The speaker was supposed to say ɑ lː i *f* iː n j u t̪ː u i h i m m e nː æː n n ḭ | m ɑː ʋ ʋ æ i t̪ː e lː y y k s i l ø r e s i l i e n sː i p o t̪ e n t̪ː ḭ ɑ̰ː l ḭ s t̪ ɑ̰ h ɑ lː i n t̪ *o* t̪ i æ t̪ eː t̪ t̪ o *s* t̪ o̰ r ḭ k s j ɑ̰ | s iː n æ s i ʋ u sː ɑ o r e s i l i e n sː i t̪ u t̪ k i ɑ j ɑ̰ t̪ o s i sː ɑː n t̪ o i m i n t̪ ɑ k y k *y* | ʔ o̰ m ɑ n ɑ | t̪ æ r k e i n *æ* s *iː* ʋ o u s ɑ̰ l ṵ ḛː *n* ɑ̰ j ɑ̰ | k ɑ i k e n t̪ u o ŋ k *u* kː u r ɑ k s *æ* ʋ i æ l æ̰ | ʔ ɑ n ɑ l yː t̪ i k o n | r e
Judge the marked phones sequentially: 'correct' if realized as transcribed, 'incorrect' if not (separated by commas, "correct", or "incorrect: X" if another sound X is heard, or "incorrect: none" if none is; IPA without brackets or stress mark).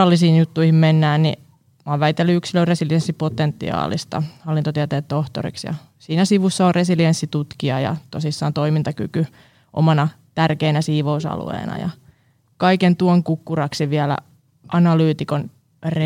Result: incorrect: s, correct, incorrect: h, correct, correct, correct, correct, correct, incorrect: i